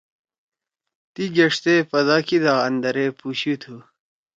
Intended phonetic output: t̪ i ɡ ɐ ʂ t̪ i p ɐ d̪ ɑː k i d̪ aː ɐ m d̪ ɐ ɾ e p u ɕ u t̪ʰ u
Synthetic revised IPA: t̪ i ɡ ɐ ʂ t̪ e p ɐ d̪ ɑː k i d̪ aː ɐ n d̪ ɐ ɾ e p u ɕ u t̪ʰ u

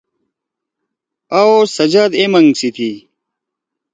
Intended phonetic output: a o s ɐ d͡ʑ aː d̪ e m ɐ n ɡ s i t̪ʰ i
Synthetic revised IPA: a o s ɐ d͡ʑ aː d̪ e m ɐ ŋ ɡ s i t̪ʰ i

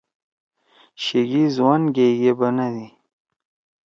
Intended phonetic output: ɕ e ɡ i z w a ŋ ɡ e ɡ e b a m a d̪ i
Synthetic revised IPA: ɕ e ɡ i z w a n ɡ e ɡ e b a n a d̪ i

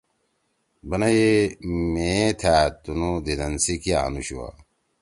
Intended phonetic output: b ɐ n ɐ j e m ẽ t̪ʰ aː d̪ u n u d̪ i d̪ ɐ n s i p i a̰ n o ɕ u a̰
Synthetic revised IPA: b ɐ n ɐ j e m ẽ t̪ʰ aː t̪ u n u d̪ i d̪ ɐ n s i k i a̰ n u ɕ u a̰

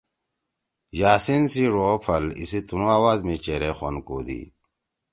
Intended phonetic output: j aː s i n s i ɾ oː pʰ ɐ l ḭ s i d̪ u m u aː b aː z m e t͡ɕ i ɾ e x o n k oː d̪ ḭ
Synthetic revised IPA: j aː s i n s i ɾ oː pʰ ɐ l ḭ s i t̪ u n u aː w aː z m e t͡ɕ e ɾ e x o n k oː d̪ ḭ

